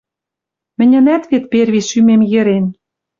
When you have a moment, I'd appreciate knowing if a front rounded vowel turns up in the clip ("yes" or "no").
yes